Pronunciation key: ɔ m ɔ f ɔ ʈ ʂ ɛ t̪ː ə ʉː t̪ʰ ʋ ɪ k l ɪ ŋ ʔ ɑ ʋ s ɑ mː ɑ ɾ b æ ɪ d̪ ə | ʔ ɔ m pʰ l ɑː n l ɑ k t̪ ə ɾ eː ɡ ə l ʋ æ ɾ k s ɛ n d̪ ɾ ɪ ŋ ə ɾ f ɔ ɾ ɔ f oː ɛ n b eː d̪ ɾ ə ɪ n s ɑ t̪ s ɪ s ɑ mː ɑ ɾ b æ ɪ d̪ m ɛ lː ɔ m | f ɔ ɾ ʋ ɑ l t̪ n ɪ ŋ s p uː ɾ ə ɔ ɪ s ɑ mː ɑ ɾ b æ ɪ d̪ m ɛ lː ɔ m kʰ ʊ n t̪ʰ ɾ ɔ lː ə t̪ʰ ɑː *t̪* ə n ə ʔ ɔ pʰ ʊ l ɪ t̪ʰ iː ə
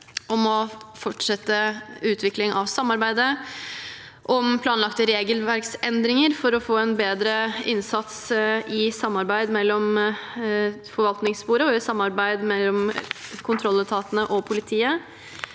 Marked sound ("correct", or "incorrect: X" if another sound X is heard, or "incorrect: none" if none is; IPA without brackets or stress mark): correct